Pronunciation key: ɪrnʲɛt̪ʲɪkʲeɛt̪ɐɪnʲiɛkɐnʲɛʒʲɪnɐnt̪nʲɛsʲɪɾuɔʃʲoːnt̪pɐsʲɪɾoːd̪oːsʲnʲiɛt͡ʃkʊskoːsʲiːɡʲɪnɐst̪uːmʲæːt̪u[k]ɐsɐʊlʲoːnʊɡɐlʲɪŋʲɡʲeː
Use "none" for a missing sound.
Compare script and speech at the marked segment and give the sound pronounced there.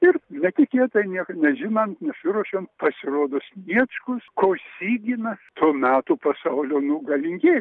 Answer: p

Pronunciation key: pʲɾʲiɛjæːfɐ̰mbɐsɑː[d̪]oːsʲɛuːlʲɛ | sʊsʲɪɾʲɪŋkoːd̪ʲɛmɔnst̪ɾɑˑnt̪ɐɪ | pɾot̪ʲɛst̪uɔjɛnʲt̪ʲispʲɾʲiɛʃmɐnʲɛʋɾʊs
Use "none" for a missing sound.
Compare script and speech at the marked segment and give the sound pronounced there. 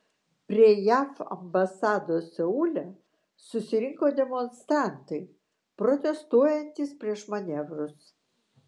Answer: d̪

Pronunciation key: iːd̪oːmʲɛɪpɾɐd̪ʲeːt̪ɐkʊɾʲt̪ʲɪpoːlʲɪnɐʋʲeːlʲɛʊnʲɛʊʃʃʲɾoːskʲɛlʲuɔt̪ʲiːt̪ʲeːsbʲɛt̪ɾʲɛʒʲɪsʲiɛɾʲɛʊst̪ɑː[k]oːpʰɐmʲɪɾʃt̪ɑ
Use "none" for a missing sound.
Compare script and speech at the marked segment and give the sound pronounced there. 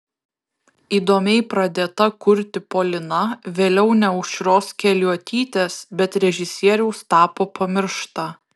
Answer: p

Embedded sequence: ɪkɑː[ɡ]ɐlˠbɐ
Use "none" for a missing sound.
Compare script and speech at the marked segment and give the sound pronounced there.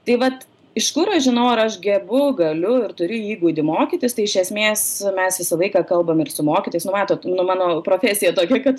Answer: k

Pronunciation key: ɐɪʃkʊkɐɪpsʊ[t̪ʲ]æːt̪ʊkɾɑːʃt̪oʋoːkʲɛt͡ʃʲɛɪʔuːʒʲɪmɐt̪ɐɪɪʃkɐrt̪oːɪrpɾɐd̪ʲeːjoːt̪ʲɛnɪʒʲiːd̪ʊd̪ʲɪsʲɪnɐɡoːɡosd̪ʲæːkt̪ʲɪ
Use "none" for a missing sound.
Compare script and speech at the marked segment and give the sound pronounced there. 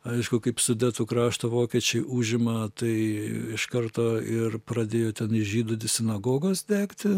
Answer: d̪ʲ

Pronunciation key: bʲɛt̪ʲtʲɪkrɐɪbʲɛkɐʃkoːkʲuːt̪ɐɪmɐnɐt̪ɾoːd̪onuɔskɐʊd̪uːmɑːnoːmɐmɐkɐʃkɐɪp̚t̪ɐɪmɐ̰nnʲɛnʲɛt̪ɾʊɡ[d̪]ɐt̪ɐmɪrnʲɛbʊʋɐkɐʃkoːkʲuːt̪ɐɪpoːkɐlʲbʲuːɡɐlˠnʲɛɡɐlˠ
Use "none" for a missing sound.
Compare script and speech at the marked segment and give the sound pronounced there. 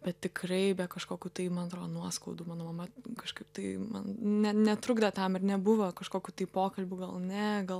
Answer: d̪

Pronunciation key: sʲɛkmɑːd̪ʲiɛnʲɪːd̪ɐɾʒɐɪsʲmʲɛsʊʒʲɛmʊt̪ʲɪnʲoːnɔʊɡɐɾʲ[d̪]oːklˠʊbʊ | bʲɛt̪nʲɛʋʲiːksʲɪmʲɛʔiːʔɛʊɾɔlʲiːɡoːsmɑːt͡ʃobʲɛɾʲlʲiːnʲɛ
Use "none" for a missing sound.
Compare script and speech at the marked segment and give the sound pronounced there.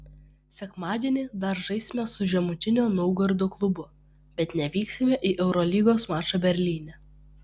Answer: d̪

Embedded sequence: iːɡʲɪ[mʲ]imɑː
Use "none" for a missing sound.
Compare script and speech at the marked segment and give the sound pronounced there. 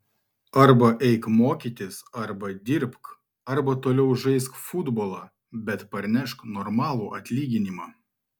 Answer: nʲ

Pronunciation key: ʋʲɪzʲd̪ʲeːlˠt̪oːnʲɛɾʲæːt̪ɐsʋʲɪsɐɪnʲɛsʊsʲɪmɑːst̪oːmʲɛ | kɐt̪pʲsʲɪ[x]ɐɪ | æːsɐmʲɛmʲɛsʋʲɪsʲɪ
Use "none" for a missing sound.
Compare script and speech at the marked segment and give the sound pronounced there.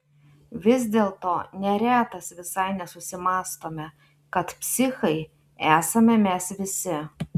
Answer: x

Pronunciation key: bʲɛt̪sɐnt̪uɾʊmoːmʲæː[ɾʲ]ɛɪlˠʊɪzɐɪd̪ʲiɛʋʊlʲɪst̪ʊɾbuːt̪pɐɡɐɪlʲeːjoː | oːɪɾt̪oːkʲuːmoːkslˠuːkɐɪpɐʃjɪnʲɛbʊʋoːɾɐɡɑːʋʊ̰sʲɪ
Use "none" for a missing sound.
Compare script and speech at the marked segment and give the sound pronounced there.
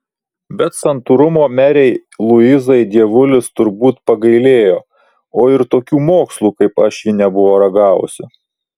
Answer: ɾʲ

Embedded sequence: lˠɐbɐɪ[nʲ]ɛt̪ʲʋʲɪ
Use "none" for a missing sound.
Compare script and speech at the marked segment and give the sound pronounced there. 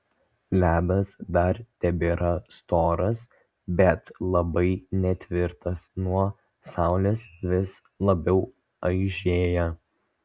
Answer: nʲ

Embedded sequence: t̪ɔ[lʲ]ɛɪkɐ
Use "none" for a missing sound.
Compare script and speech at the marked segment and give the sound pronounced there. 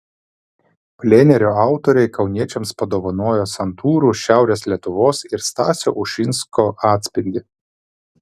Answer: ɾʲ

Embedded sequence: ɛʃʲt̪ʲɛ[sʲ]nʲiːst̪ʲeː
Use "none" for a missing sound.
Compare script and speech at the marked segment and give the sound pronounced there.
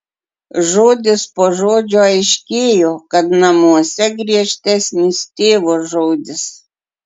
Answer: sʲ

